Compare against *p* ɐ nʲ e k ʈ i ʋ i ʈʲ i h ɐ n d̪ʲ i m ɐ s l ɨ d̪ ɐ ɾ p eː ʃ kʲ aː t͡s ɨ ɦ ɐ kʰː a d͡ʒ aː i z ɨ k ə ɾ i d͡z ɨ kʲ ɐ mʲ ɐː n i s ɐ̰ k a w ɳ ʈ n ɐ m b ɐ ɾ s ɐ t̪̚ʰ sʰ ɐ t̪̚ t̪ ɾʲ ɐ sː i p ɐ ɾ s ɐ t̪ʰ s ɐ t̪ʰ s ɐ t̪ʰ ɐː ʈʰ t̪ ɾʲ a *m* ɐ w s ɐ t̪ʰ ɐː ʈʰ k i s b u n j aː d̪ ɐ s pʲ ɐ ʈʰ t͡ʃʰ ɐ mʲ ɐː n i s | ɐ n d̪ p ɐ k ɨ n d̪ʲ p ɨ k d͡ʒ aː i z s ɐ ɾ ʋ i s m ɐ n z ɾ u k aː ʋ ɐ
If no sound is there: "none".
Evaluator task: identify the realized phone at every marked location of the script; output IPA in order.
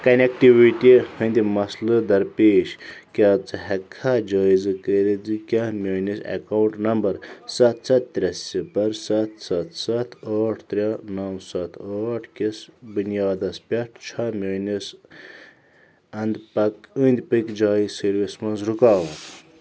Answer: k, n

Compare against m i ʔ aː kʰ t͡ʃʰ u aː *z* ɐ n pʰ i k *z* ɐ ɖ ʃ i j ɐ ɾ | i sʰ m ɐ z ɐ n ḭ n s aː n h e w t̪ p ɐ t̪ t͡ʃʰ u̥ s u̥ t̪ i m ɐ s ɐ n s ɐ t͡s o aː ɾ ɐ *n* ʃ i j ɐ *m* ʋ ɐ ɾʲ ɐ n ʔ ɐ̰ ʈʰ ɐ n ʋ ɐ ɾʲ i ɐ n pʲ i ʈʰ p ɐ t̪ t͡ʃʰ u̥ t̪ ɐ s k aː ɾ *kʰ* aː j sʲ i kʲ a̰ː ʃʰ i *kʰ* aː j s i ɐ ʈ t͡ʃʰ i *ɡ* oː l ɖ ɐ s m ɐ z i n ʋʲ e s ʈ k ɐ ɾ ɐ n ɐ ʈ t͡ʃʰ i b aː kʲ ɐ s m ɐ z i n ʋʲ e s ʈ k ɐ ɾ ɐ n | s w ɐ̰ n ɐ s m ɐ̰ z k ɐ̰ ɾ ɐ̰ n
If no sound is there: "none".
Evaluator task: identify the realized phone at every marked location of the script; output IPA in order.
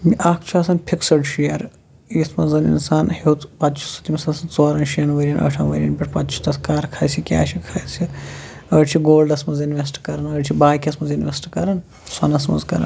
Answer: s, s, n, n, kʰ, kʰ, ɡ

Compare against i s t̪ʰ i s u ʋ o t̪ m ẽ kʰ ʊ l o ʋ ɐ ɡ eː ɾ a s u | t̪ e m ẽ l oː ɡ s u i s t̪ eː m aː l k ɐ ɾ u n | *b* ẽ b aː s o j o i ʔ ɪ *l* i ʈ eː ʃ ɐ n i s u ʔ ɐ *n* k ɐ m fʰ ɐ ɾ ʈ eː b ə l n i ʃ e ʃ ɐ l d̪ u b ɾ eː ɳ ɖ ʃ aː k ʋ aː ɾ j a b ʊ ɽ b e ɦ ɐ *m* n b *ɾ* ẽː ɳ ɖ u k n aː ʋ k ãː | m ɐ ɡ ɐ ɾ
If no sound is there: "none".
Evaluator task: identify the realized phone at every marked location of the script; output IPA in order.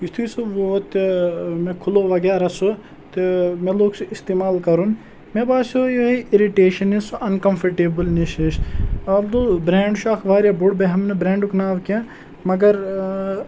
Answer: m, ɾ, n, m, ɾ

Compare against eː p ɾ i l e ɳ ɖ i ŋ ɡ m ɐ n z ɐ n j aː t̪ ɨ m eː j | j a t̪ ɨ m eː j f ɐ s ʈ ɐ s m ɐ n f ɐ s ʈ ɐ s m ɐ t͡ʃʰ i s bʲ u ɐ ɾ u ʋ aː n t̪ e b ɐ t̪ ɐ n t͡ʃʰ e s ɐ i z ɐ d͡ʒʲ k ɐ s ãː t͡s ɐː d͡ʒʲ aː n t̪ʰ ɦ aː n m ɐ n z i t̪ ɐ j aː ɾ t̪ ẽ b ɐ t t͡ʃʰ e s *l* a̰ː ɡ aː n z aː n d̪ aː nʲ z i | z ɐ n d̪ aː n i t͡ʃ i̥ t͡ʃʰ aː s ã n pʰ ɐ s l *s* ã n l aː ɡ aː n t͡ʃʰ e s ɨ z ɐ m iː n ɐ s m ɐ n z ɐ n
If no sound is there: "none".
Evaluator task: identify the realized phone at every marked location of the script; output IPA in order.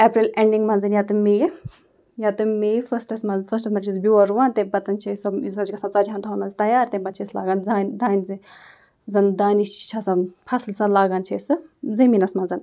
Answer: l, s

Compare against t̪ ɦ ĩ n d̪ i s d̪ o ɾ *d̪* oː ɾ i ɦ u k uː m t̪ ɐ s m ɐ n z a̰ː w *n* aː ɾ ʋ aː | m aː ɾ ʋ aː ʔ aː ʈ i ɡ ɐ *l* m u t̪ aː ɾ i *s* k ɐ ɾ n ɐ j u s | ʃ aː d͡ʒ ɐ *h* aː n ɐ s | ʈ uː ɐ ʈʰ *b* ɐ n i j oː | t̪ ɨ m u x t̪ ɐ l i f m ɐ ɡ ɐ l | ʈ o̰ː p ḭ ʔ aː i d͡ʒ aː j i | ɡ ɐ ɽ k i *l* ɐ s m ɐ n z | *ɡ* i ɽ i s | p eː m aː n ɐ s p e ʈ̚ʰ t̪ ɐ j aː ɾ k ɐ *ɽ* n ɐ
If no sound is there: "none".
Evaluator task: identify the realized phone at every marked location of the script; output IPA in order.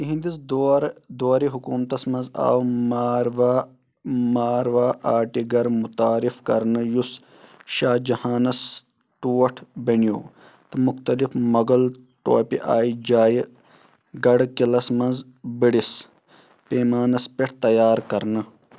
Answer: d̪, m, ɾ, f, h, b, l, b, ɾ

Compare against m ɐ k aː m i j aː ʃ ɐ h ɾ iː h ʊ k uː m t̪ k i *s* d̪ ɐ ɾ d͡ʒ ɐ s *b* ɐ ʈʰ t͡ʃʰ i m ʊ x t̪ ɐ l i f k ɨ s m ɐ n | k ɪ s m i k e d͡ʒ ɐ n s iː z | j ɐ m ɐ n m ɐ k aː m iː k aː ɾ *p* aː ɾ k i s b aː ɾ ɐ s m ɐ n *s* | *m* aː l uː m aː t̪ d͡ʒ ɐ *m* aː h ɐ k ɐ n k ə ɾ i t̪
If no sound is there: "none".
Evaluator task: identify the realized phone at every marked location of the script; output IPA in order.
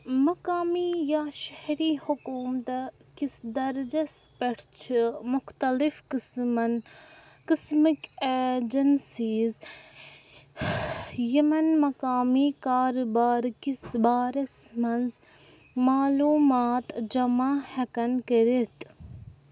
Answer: s, p, b, z, m, m

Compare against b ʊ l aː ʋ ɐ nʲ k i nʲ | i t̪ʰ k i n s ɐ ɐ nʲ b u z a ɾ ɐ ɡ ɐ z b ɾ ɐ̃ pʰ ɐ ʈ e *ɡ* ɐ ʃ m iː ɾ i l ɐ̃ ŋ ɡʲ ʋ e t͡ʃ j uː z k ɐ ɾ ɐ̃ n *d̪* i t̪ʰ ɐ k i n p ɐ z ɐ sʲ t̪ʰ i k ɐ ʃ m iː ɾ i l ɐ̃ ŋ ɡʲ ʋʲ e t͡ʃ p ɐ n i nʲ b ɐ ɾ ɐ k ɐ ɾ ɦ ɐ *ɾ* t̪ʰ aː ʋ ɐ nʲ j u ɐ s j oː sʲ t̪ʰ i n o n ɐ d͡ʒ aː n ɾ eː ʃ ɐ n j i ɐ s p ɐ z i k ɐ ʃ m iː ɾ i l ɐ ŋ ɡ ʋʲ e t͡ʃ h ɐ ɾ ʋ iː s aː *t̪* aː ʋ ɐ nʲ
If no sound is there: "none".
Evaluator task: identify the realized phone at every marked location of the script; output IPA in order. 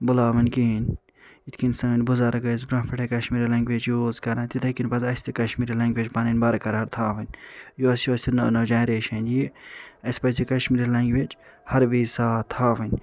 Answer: k, t̪, ɾ, t̪ʰ

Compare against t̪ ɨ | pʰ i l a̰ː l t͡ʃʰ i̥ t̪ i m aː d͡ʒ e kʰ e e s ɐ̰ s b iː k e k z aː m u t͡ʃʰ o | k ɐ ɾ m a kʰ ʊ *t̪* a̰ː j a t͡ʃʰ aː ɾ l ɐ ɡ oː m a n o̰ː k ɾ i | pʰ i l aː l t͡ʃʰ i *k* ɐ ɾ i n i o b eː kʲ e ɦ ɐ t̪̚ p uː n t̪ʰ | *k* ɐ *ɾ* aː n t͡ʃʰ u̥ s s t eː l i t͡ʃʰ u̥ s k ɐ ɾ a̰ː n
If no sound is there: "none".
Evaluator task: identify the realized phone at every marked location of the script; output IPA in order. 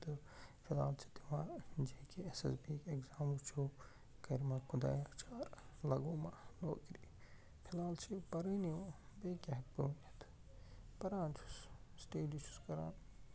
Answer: d̪, p, p, ɾ

